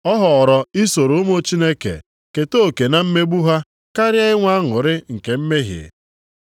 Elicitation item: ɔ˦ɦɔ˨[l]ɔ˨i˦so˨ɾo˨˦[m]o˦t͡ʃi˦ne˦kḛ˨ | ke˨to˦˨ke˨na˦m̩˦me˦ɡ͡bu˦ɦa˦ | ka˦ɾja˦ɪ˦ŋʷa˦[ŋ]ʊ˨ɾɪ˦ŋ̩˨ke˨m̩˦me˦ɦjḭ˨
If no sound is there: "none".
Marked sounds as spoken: ɾ, m, ŋ

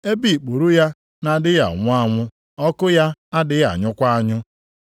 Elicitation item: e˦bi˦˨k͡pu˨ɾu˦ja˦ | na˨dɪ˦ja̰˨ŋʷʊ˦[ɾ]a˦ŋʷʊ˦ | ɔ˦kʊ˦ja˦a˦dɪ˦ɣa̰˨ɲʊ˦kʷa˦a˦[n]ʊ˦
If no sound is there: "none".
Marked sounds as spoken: none, ɲ

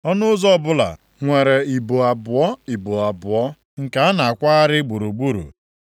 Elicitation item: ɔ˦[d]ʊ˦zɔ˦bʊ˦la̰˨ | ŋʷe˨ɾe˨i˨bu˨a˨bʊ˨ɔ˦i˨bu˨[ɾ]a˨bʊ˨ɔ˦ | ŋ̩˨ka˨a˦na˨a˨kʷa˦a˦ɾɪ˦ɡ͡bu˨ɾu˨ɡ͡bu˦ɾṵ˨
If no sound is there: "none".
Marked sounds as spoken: n, none

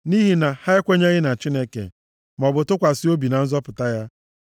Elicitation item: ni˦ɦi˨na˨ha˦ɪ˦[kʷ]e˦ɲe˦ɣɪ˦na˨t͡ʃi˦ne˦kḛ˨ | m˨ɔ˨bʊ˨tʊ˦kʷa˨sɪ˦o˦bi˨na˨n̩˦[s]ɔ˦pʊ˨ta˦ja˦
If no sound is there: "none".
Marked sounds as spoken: kʷ, z

